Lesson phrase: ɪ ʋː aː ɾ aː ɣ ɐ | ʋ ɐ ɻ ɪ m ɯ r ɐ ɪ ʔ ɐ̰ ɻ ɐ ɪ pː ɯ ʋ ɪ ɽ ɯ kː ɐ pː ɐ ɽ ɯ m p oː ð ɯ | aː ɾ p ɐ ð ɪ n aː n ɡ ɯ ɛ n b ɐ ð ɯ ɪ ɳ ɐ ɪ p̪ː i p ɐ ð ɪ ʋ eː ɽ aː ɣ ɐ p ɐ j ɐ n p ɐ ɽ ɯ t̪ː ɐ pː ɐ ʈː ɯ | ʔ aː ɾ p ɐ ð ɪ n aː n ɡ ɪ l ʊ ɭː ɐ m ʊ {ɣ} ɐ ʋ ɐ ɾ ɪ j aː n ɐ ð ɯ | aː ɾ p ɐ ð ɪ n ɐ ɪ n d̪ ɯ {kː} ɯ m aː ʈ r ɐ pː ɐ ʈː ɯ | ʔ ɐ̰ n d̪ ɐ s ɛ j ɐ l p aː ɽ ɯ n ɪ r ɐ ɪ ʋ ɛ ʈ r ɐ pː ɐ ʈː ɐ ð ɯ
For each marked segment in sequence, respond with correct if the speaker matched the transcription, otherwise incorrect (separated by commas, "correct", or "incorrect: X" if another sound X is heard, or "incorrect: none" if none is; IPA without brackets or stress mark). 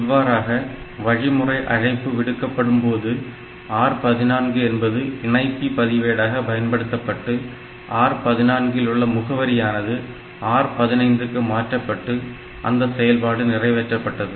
correct, correct